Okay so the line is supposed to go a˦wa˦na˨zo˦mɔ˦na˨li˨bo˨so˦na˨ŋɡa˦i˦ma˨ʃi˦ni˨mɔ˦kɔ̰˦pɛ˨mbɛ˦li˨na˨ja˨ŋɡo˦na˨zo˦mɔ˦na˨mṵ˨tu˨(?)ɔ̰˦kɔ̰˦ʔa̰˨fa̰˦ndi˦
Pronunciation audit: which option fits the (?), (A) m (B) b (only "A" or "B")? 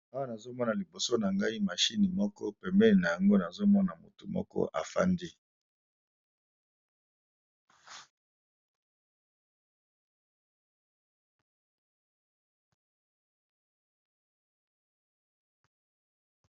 A